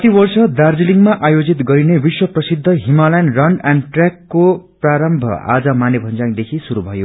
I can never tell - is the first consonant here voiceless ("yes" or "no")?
yes